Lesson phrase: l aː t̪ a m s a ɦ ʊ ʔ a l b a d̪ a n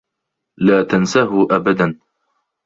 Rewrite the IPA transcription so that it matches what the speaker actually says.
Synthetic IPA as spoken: l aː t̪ a n s a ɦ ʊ ʔ a b a d̪ a n